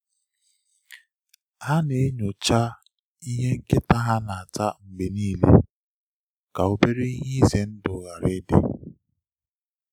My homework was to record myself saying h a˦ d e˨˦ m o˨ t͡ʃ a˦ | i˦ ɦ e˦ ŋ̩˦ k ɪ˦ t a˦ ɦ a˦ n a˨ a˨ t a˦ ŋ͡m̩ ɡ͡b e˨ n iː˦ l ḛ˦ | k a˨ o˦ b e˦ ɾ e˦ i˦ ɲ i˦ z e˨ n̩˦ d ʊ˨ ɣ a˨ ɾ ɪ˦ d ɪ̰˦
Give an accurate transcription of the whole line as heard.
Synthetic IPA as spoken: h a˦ n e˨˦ ɲ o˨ t͡ʃ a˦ | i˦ ɦ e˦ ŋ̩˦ k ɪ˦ t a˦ ɦ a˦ n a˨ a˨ t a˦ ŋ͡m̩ ɡ͡b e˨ n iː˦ l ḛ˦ | k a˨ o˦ b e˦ ɾ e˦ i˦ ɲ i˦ z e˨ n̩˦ d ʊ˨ ɣ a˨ ɾ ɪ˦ d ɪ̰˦